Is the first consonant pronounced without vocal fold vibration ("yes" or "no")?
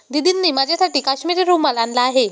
no